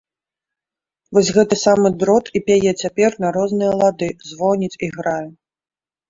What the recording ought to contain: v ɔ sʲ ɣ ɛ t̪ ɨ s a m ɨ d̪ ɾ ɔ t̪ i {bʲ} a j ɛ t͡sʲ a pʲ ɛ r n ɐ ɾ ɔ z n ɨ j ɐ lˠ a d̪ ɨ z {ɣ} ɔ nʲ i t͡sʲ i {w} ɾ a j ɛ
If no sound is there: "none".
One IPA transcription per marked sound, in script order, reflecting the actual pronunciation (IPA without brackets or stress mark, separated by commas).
pʲ, v, ɣ